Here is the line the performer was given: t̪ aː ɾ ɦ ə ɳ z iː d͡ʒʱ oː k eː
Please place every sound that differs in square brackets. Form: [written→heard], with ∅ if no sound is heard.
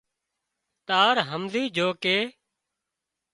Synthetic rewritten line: t̪ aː ɾ ɦ ə [ɳ→m] z iː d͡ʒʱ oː k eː